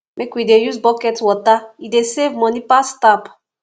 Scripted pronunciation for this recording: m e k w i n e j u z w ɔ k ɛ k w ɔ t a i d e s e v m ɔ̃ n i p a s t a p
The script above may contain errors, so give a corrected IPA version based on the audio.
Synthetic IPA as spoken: m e k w i d e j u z b ɔ k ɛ t w ɔ t a i d e s e v m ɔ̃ n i p a s t a p